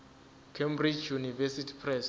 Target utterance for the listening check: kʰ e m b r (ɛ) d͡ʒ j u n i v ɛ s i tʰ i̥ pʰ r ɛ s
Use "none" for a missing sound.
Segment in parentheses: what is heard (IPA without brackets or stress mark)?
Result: i